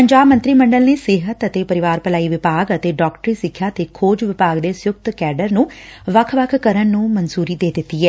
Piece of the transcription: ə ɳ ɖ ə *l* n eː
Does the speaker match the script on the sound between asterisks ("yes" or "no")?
yes